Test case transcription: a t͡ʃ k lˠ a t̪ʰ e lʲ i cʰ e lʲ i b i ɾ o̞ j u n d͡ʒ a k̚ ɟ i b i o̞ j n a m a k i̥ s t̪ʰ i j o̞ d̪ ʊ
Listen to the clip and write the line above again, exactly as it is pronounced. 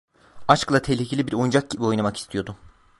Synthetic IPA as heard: a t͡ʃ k lˠ a t̪ʰ e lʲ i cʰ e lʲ i b i ɾ o̞ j u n d͡ʒ a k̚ ɟ i b i o̞ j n a m a k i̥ s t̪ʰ i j o̞ d̪ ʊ